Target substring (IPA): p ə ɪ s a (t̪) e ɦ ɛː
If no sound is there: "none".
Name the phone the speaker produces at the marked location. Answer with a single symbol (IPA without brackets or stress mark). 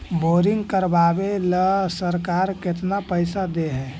d̪